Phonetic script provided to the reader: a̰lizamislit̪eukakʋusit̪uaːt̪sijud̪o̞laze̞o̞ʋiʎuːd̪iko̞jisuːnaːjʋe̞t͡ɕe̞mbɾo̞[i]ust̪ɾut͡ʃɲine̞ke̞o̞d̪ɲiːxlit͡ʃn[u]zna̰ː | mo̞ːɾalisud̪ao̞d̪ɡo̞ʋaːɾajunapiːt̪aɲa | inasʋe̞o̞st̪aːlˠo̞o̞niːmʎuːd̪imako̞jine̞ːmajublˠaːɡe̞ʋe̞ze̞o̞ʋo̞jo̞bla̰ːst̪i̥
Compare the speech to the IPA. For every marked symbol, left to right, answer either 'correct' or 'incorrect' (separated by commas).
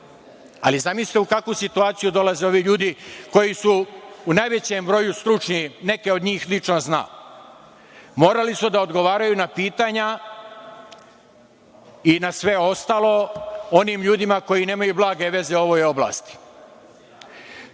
incorrect, incorrect